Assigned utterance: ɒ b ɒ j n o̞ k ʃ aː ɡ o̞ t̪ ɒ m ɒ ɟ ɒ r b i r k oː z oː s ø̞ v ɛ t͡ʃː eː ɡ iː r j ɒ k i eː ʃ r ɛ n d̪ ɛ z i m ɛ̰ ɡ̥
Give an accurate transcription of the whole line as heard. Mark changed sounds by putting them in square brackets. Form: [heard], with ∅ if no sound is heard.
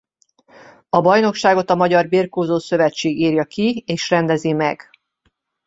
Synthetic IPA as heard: ɒ b ɒ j n o̞ k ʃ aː ɡ o̞ t̪ ɒ m ɒ ɟ ɒ r b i r k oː z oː s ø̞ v ɛ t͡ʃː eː ɡ iː r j ɒ k i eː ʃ r ɛ n d̪ ɛ z i m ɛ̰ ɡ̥